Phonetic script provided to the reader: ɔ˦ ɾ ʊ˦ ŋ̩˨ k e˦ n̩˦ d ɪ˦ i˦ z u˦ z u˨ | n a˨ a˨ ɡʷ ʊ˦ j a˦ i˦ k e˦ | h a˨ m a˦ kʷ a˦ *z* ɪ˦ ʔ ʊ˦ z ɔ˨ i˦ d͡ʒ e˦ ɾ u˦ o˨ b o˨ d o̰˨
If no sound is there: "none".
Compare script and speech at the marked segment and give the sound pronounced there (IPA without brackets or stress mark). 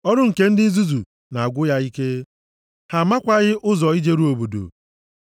ɣ